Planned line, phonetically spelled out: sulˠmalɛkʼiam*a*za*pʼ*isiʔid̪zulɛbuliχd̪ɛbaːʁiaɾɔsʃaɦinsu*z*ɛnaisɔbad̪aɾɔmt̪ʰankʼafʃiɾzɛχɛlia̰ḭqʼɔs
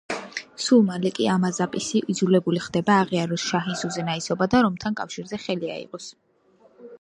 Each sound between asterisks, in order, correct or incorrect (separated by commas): correct, correct, correct